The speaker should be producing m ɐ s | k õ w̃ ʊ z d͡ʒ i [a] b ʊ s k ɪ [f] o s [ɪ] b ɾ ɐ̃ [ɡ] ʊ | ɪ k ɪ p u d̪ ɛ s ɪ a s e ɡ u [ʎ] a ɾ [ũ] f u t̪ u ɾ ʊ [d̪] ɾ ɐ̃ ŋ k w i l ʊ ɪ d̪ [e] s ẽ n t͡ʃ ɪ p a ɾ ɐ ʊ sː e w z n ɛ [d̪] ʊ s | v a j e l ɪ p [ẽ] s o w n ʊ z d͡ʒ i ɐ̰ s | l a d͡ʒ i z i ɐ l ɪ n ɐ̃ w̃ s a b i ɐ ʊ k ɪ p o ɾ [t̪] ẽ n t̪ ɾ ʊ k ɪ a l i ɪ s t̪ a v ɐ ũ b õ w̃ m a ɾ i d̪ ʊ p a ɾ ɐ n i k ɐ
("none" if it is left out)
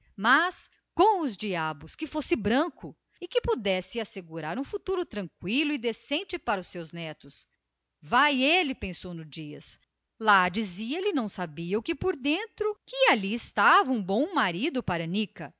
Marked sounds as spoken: a, f, ɪ, k, ɾ, ũ, t̪, e, t̪, ẽ, d̪

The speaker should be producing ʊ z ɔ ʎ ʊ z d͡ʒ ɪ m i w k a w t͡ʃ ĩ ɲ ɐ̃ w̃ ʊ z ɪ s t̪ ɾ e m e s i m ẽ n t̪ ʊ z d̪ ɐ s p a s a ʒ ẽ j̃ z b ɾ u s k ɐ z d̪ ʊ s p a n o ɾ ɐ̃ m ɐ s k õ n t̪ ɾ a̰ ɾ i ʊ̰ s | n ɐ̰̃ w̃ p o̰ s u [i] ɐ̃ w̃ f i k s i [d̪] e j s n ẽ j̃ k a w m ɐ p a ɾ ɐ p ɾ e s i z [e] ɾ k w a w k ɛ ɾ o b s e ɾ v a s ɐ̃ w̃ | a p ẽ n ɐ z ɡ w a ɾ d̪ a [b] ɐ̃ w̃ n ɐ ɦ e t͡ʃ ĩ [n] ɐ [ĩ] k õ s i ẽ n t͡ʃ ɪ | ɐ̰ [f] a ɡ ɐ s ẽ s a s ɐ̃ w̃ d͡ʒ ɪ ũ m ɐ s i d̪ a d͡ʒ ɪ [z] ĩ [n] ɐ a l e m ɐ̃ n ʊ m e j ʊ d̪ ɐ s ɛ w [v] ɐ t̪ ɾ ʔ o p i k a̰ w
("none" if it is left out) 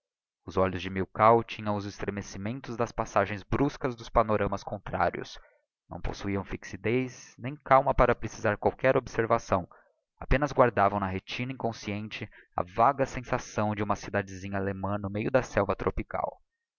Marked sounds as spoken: i, d̪, a, v, n, ĩ, v, z, ɲ, v

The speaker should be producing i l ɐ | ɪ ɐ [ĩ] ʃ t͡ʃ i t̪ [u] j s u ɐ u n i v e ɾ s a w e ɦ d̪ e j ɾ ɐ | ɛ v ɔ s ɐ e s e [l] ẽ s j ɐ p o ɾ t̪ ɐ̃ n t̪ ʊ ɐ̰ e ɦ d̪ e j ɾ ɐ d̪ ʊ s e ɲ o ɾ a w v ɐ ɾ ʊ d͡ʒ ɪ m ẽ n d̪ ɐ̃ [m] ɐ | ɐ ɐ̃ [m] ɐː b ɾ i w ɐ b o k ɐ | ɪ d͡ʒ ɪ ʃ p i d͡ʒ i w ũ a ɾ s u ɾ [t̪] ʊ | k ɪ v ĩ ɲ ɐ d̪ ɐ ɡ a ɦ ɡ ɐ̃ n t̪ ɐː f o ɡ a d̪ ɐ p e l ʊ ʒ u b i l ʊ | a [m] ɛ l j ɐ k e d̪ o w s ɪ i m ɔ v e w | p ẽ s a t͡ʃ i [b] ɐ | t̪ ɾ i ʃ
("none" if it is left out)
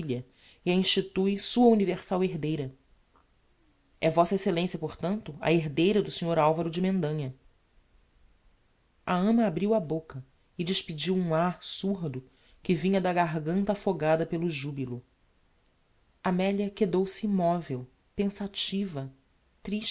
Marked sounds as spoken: ĩ, u, l, ɲ, m, d̪, m, v

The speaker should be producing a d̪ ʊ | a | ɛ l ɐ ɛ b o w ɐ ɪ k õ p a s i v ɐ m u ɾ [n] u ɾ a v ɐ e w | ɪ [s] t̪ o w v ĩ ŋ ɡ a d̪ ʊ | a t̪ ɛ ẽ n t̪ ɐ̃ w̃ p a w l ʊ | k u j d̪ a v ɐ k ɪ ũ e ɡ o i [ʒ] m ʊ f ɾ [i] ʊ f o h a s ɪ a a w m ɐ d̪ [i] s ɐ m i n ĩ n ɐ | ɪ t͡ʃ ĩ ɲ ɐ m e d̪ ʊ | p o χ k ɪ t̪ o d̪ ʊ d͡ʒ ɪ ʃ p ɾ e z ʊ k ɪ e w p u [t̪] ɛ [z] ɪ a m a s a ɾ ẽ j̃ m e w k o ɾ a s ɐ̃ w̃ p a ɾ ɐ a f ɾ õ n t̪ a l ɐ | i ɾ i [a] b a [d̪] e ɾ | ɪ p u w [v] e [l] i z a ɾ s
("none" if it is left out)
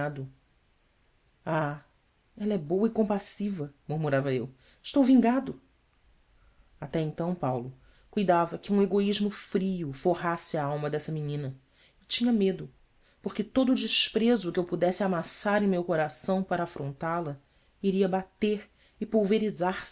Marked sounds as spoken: m, ʃ, ʒ, i, ɛ, d̪, s, ɐ, t̪, v, ɾ

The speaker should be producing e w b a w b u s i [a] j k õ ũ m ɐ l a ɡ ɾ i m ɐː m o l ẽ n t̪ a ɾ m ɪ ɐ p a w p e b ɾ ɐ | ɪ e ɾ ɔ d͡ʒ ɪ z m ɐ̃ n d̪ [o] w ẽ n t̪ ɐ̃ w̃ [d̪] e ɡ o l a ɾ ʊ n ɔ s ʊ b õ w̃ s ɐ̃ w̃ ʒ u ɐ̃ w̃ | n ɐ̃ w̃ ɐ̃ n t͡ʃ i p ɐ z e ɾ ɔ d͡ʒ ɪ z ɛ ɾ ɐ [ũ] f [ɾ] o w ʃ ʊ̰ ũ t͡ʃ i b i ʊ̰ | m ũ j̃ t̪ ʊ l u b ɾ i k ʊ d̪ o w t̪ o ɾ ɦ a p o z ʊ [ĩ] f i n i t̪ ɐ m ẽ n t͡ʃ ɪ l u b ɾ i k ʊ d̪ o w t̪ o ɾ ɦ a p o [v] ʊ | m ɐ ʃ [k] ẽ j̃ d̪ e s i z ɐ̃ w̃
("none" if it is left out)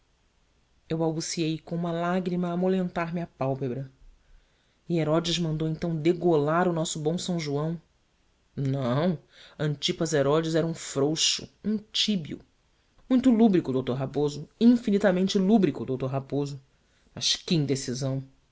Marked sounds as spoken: e, o, d̪, ũ, ɾ, ĩ, z, k

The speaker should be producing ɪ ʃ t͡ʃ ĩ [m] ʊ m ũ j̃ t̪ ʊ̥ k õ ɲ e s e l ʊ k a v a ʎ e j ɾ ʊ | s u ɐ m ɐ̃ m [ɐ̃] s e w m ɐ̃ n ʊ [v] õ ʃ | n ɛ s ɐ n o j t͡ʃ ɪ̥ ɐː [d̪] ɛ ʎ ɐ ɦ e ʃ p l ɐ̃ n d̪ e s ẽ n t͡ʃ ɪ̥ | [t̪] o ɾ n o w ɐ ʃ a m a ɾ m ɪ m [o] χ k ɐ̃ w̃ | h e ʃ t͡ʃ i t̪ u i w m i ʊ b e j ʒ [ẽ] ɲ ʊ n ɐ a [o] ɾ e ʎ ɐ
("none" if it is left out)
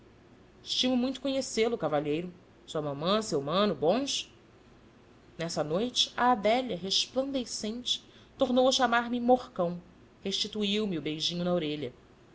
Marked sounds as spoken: m, ɐ̃, b, d̪, t̪, o, ĩ, o

